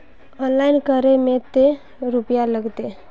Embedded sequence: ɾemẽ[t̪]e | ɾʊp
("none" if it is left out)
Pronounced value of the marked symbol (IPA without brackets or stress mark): t̪